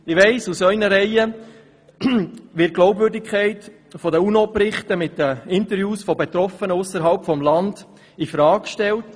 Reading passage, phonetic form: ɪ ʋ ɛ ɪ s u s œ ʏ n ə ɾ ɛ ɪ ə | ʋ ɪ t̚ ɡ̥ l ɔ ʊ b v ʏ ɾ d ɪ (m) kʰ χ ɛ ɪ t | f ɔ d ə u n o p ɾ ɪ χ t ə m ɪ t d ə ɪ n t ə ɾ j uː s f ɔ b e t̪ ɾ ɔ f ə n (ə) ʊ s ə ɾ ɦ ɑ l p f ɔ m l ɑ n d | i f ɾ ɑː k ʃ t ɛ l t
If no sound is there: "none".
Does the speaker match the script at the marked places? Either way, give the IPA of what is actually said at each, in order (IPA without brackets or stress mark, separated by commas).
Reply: none, ə